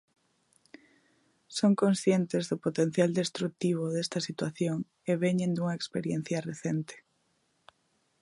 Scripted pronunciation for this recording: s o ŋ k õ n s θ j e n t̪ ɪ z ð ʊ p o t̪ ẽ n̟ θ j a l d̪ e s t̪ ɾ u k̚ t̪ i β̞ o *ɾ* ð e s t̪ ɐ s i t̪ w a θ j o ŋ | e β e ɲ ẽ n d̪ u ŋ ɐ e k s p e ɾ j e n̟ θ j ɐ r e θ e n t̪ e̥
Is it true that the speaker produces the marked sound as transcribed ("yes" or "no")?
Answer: no